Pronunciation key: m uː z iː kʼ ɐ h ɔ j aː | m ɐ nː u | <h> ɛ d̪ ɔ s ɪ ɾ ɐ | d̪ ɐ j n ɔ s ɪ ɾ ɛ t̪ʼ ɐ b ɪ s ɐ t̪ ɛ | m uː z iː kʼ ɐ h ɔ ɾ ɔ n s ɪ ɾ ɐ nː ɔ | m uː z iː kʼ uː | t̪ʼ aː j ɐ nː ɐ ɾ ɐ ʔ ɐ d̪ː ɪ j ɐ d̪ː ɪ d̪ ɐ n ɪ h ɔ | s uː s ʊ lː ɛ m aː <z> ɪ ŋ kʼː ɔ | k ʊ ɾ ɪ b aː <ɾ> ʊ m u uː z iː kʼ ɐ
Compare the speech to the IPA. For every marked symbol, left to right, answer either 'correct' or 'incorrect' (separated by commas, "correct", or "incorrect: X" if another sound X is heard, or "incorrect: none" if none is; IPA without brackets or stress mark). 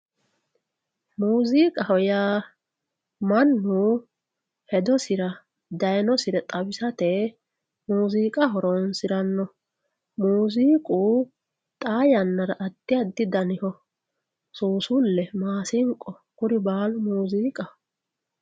correct, incorrect: s, incorrect: l